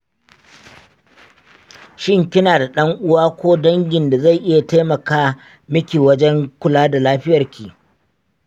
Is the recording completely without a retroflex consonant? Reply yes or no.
yes